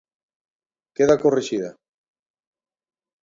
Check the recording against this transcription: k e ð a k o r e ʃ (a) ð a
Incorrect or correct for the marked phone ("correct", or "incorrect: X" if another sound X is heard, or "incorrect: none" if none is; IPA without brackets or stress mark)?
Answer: incorrect: i